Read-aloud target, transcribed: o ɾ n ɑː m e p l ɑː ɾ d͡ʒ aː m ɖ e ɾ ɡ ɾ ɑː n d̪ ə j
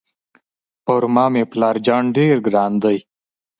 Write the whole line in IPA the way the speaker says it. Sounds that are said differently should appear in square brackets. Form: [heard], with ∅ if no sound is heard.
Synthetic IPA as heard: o ɾ [m] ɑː m e p l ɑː ɾ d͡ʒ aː [ɳ] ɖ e ɾ ɡ ɾ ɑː n d̪ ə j